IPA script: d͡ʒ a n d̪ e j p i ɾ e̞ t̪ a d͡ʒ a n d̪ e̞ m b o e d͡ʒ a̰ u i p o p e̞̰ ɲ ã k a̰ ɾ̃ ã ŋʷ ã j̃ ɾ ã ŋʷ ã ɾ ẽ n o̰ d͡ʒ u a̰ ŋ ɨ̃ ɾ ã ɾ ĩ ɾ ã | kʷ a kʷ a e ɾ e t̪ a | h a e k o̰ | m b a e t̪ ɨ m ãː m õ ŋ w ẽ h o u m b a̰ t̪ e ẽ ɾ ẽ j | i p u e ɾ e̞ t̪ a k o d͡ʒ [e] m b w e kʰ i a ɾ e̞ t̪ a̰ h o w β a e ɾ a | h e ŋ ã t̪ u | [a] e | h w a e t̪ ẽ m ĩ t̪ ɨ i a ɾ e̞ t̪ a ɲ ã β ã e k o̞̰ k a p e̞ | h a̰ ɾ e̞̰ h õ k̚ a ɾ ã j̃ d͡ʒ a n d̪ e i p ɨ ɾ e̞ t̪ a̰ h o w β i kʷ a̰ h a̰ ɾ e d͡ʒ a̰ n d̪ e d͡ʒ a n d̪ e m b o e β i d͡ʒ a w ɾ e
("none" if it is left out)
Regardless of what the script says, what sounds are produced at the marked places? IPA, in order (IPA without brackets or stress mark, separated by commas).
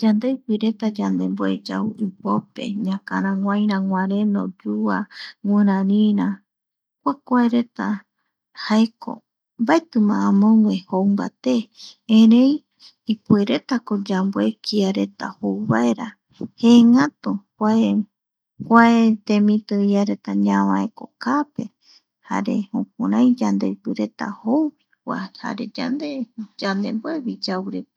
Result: a, a